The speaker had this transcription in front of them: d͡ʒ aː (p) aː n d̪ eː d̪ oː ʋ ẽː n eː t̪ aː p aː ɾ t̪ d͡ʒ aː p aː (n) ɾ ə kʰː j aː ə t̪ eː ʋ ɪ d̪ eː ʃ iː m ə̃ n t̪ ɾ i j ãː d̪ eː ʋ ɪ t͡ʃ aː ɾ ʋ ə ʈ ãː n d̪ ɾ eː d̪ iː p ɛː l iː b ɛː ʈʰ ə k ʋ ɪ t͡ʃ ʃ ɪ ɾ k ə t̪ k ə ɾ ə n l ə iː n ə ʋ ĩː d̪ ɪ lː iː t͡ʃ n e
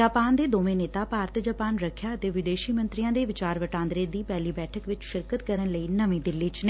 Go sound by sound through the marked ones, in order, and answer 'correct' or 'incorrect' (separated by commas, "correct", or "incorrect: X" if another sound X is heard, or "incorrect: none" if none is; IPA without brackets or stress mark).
correct, correct